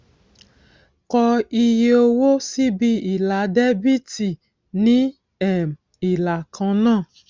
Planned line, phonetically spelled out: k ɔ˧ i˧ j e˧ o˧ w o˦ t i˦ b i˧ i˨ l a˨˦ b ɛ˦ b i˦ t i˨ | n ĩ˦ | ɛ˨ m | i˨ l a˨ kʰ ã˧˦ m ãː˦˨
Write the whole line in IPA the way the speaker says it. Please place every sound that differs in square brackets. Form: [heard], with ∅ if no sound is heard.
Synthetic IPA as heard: k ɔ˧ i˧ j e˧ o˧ w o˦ [s] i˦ b i˧ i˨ l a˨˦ [d] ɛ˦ b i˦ t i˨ | n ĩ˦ | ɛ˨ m | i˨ l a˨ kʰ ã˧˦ [n] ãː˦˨